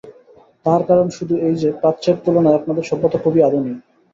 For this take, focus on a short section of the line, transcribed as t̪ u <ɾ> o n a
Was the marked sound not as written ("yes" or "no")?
yes